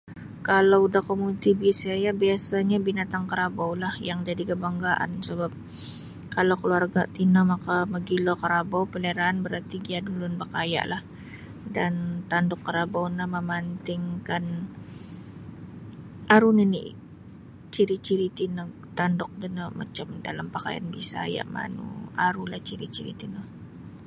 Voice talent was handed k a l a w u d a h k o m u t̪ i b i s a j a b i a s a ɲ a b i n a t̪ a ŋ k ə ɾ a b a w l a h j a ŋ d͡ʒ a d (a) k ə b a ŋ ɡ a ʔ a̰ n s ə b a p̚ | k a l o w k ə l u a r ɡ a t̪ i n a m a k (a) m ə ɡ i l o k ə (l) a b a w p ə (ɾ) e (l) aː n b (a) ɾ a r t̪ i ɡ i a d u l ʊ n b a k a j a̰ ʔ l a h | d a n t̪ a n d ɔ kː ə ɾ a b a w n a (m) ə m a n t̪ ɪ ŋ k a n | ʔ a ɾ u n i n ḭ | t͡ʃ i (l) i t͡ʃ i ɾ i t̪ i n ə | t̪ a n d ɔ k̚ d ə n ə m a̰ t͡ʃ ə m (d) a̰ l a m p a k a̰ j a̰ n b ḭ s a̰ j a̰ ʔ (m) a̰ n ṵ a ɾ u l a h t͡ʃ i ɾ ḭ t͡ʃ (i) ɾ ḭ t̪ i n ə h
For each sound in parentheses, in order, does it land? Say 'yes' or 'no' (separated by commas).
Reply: no, yes, no, no, no, no, yes, no, yes, yes, yes